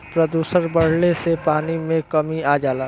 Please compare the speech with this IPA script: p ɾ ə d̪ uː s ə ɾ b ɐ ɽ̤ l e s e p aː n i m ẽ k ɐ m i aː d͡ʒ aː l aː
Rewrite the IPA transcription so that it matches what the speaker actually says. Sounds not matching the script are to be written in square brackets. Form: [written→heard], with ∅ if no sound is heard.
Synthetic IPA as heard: p ɾ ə d̪ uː s ə ɾ b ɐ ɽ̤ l e s e p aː n i m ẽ k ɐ m i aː d͡ʒ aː l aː